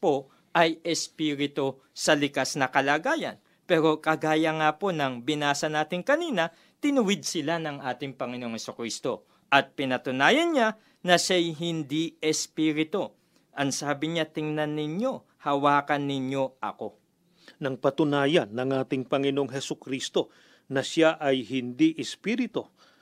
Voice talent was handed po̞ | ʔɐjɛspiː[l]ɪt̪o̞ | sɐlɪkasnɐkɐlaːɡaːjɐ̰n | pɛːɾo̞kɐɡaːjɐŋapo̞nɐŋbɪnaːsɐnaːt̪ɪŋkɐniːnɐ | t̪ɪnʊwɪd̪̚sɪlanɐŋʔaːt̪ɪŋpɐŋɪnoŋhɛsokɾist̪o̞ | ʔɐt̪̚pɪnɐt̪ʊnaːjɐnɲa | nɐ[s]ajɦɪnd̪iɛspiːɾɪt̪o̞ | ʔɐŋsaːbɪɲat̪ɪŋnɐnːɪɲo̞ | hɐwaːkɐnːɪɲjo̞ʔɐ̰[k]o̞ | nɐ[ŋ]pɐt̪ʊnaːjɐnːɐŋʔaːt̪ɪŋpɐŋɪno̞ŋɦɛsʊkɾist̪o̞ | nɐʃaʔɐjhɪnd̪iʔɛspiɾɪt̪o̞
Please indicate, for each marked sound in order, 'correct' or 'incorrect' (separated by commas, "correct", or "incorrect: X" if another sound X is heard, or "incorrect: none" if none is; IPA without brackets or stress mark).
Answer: incorrect: ɾ, incorrect: ʃ, correct, correct